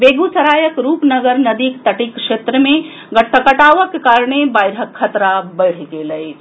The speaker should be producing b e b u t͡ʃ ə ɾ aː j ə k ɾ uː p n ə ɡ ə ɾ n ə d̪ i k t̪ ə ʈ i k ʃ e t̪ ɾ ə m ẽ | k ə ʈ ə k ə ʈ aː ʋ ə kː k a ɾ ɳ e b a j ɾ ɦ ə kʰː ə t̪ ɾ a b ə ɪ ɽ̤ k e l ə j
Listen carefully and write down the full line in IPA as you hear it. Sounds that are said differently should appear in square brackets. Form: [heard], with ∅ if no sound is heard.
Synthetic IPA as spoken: b e [ɡ] u t͡ʃ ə ɾ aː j ə k ɾ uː p n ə ɡ ə ɾ n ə d̪ i k t̪ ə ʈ i k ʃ e t̪ ɾ ə m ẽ | [ɡ] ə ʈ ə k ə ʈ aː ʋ ə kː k a ɾ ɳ e b a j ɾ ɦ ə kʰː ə t̪ ɾ a b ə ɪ ɽ̤ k e l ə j